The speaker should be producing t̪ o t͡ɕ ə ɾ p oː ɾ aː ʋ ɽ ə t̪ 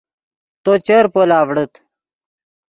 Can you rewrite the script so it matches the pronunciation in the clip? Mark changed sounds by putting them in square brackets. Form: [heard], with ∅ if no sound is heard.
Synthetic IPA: t̪ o t͡ɕ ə ɾ p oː [l] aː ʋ ɽ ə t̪